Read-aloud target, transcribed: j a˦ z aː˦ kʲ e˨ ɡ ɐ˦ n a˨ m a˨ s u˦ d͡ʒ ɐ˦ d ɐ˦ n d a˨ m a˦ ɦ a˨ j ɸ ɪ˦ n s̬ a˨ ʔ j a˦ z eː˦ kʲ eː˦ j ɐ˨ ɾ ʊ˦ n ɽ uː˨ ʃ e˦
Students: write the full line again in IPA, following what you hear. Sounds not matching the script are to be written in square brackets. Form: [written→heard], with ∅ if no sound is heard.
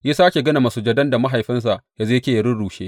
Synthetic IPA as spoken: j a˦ [z→s] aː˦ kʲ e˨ ɡ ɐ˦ n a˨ m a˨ s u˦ d͡ʒ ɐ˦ d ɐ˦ n d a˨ m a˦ ɦ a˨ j ɸ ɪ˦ n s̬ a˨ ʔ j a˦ z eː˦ kʲ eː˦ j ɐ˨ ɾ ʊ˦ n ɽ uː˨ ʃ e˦